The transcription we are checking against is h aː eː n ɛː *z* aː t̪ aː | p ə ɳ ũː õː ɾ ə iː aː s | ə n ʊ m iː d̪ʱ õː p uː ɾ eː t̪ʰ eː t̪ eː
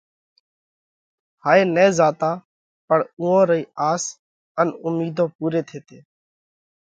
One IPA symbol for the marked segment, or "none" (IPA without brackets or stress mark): z